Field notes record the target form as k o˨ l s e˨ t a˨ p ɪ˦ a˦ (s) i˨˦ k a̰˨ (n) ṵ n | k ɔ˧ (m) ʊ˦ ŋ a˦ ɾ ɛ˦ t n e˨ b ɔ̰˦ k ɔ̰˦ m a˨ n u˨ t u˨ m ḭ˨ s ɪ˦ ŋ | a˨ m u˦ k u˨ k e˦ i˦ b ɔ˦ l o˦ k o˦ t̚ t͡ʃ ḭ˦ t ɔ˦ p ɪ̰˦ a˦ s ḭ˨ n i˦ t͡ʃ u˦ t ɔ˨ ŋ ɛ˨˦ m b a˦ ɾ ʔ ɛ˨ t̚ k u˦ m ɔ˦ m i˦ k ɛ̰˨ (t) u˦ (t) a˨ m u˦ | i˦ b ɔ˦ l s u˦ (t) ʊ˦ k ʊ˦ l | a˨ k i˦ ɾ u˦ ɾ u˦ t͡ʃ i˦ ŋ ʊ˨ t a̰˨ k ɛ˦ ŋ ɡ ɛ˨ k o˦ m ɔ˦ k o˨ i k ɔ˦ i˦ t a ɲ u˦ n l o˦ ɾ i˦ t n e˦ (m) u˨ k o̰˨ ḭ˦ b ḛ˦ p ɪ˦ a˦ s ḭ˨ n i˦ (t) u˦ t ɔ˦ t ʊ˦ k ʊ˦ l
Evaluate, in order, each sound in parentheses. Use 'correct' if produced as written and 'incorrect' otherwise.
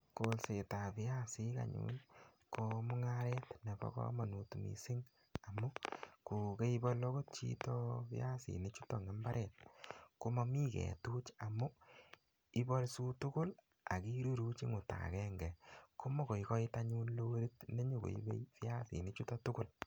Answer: correct, incorrect, correct, correct, incorrect, correct, incorrect, incorrect

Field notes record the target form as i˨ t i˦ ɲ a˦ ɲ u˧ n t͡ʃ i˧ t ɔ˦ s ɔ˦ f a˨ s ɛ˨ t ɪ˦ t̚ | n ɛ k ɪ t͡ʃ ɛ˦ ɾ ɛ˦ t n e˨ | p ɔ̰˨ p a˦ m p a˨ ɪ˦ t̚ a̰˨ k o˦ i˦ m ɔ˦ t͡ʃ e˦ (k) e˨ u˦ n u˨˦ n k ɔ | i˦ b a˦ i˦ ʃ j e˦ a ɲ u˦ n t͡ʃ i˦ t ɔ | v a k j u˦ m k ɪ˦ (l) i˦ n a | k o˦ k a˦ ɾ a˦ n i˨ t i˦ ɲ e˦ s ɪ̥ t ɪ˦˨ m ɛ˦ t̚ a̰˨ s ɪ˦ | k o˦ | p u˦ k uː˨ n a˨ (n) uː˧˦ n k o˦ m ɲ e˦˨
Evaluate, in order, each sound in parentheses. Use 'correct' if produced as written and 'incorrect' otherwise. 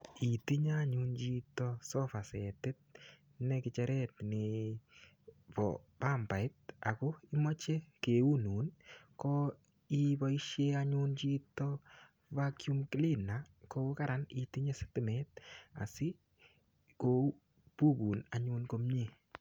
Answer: correct, correct, incorrect

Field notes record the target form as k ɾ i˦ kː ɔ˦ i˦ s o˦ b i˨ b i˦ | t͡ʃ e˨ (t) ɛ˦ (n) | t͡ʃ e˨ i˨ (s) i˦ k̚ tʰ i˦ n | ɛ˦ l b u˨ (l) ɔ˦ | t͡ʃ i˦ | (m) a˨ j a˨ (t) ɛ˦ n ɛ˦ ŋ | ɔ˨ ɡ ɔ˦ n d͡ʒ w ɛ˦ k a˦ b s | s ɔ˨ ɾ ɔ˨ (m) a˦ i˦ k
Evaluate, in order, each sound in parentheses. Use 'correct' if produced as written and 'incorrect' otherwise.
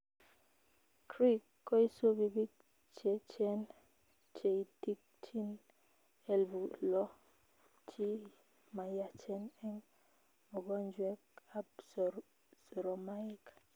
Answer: incorrect, correct, incorrect, correct, correct, incorrect, correct

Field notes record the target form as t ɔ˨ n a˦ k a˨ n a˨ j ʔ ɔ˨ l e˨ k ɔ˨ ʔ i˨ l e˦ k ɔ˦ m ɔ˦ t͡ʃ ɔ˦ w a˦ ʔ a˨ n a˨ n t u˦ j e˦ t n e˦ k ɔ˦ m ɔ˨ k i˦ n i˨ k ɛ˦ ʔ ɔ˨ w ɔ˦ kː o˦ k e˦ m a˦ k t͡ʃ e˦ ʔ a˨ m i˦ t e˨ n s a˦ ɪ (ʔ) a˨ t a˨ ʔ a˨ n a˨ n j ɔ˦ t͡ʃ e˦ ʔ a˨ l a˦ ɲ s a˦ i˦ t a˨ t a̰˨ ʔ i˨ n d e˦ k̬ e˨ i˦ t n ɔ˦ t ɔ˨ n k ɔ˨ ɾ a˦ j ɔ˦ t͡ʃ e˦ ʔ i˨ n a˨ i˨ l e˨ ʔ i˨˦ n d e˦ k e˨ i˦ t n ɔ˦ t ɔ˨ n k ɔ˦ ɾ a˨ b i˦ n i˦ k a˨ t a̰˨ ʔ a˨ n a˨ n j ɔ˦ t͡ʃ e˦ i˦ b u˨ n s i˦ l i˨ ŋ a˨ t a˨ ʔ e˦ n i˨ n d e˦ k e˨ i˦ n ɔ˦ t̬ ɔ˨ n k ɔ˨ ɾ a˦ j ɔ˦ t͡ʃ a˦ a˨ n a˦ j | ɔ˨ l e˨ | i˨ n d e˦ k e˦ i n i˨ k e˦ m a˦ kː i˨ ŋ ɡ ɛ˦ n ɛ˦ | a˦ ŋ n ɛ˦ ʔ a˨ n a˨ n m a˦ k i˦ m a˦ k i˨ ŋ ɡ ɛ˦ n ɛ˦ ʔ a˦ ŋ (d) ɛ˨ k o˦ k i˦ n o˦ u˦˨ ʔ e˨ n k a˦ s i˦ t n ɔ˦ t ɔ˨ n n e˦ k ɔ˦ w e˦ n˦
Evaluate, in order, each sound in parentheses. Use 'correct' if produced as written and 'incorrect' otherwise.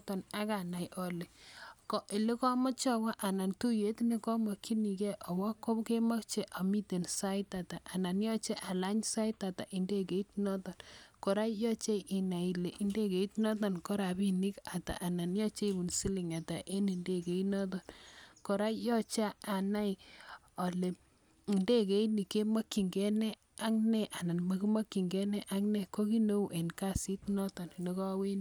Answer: incorrect, incorrect

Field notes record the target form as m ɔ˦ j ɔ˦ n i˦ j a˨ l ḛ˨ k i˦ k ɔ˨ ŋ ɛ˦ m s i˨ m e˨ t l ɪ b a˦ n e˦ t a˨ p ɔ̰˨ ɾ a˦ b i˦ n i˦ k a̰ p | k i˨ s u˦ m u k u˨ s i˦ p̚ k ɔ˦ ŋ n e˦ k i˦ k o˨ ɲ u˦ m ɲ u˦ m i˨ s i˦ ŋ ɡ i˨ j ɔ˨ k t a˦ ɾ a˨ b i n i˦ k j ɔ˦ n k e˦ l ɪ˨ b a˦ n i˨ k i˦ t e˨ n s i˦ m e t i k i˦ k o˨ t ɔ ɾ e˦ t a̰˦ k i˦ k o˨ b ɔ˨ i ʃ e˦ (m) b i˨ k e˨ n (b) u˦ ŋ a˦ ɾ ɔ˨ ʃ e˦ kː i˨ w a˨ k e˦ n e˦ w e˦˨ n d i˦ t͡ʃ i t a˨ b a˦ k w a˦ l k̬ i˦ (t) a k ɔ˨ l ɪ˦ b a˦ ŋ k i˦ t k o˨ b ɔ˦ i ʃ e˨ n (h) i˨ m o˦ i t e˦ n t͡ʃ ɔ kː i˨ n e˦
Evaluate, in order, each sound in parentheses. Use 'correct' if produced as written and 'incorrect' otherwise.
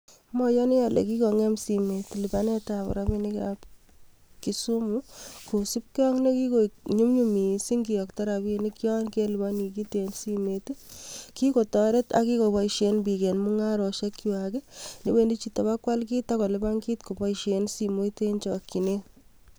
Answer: incorrect, incorrect, correct, incorrect

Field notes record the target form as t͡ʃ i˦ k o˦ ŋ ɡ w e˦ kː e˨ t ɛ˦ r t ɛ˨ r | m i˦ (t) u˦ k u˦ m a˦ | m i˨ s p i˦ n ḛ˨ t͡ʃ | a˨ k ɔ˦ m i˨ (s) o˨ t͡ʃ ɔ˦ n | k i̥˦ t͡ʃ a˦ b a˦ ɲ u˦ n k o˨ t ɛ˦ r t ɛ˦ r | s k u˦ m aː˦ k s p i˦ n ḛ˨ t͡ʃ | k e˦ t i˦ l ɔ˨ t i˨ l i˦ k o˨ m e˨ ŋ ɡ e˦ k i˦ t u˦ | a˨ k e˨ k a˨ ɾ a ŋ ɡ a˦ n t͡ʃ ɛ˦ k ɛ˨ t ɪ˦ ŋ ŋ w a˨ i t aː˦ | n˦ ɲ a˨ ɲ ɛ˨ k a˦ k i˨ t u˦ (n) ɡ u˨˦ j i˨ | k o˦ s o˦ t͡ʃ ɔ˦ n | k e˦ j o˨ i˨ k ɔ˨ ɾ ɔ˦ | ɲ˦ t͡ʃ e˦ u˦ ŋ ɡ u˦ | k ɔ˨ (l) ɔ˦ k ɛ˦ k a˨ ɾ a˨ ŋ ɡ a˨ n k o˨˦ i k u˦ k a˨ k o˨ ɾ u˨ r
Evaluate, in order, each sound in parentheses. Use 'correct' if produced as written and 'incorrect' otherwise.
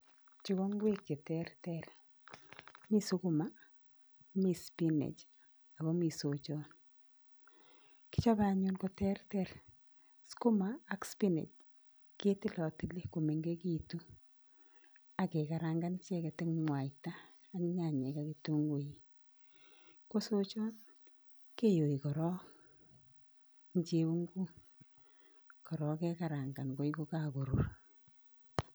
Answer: incorrect, correct, incorrect, incorrect

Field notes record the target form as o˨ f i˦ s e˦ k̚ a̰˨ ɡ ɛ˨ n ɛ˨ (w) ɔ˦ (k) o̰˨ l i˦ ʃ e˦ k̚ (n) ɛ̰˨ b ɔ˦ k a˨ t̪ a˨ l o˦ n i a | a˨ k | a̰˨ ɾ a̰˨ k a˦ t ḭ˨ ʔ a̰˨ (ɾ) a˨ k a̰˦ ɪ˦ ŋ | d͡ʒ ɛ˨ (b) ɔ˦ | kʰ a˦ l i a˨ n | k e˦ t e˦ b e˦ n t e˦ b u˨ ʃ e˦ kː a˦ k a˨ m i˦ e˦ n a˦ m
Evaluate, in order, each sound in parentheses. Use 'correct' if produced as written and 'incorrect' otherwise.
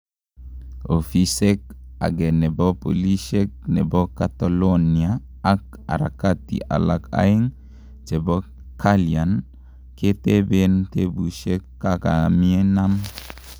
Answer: incorrect, incorrect, correct, incorrect, correct

